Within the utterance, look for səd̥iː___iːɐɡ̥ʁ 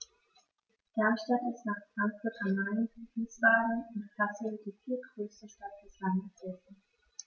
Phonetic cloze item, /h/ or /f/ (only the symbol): f